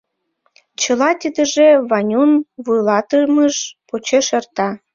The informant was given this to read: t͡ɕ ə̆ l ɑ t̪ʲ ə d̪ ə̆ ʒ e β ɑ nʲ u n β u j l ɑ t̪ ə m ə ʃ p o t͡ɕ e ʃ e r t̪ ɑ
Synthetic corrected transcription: t͡ɕ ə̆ l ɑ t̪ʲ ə d̪ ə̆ ʒ e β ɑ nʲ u n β u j l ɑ t̪ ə m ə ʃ p o t͡ɕ e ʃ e r t̪ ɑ